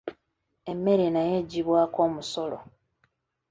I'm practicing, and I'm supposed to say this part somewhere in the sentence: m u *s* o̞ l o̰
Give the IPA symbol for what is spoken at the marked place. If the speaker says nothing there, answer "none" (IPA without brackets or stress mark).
s